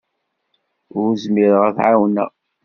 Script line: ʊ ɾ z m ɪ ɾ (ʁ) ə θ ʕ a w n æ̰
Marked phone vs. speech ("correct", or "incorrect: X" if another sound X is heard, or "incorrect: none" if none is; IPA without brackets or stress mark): correct